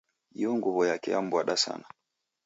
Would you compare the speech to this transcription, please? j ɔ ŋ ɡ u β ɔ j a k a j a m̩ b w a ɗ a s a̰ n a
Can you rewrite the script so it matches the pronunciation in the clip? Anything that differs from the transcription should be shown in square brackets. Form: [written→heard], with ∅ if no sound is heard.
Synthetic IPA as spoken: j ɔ ŋ ɡ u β ɔ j a k [a→ɛ] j a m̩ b w a ɗ a s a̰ n a